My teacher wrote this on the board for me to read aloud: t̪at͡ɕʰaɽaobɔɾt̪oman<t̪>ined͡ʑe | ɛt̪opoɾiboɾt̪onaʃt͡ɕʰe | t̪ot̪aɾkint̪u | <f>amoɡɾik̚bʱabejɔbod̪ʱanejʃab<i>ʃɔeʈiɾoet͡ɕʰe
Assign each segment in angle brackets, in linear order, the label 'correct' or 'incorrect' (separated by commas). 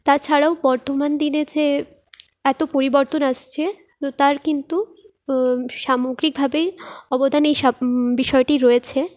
incorrect, incorrect, correct